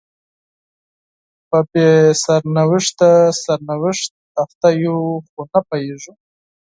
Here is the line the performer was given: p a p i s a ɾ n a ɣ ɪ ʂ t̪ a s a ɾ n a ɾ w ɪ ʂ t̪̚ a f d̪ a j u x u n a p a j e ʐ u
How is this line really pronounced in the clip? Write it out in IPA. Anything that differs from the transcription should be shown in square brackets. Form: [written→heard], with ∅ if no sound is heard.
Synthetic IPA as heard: p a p [i→e] s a ɾ n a [ɣ→w] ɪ ʂ t̪ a s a ɾ n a [ɾ→∅] w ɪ ʂ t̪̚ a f [d̪→t̪] a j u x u n a p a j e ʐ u

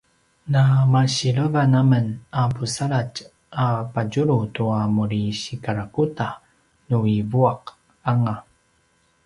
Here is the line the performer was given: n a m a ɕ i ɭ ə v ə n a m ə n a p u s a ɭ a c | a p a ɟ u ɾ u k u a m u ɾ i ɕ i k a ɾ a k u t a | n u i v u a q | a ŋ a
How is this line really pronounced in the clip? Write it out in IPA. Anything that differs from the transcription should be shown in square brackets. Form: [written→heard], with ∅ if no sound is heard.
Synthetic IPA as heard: n a m a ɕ i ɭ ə v [ə→a] n a m ə n a p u s a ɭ a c | a p a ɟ u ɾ u [k→t] u a m u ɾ i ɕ i k a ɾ a k u t a | n u i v u a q | a ŋ a

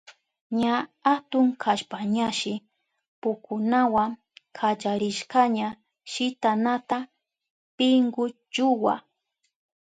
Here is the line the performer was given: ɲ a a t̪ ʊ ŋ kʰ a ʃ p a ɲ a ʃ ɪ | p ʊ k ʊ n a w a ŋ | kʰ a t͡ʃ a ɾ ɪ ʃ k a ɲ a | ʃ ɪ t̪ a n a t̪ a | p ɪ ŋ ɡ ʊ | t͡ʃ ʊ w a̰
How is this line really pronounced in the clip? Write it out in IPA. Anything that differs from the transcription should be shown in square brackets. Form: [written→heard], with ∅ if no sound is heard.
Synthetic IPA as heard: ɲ a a t̪ ʊ ŋ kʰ a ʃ p a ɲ a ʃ ɪ | p ʊ k ʊ n a w a ŋ | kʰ a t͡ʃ a ɾ ɪ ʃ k a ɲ a | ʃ ɪ t̪ a n a t̪ a | p ɪ ŋ ɡ ʊ | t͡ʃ ʊ w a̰

